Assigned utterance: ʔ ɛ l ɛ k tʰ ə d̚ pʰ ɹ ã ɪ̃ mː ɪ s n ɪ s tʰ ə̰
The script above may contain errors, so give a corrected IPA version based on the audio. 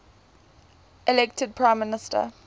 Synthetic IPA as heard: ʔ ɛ l ɛ k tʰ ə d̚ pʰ ɹ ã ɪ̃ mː ɪ n ɪ s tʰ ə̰